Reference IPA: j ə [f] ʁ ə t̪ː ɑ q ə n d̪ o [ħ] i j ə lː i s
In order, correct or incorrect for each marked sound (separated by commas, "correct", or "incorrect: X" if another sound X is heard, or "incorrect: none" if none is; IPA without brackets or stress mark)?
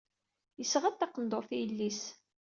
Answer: incorrect: s, incorrect: θ